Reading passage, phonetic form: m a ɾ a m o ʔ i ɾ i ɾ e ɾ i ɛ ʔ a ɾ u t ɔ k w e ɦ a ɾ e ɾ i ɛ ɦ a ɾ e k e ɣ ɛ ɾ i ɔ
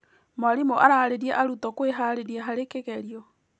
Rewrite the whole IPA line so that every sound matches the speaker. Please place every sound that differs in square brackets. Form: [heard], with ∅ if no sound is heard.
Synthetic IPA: m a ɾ [i] m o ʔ [a] ɾ [a] ɾ e ɾ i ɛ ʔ a ɾ u t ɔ k w e ɦ a ɾ e ɾ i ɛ ɦ a ɾ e k e ɣ ɛ ɾ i ɔ